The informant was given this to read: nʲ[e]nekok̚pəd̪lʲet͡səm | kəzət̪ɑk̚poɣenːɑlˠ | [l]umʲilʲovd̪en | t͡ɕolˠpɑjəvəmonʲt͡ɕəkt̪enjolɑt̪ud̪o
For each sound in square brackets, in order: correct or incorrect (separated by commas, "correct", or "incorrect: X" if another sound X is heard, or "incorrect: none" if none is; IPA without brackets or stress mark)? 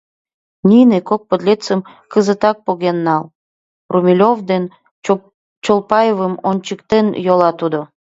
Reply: incorrect: i, incorrect: r